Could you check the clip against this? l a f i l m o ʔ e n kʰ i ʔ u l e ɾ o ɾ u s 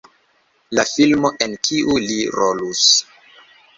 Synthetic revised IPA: l a f i l m o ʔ e n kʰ i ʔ u l i ɾ o l u s